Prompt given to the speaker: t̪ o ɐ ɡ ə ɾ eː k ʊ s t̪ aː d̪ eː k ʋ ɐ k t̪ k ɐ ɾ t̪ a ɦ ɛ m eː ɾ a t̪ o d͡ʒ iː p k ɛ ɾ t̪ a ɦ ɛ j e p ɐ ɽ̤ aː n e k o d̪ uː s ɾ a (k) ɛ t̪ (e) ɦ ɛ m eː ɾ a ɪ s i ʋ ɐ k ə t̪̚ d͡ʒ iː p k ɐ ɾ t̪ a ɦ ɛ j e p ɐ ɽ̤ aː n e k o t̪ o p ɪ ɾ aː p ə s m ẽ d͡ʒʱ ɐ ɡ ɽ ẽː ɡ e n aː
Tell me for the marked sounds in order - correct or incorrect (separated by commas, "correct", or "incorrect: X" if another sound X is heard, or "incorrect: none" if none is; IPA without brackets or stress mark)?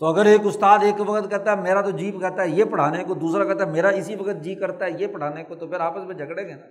correct, incorrect: a